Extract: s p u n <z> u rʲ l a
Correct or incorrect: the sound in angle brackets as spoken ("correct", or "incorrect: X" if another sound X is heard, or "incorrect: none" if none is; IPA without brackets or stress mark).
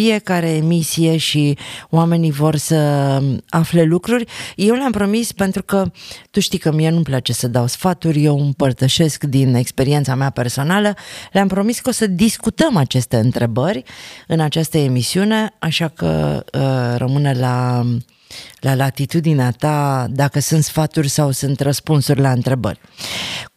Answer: incorrect: s